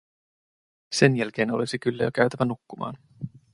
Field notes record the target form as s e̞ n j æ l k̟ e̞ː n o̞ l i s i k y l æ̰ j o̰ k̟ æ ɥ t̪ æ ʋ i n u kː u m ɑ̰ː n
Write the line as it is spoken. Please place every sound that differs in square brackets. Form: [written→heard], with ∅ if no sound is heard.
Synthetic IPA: s e̞ n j æ l k̟ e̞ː n o̞ l i s i k y [l→lː] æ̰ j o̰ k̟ æ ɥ t̪ æ ʋ [i→æ] n u kː u m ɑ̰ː n